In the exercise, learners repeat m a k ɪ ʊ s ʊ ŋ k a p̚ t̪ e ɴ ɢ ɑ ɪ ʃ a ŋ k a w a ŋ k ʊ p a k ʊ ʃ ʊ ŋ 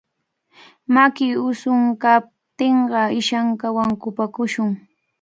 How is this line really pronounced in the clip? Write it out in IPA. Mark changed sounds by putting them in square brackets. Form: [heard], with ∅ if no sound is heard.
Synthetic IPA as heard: m a k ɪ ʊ s ʊ ŋ k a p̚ t̪ e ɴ ɢ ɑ ɪ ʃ a ŋ k a w a ŋ k ʊ p a k ʊ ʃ ʊ ŋ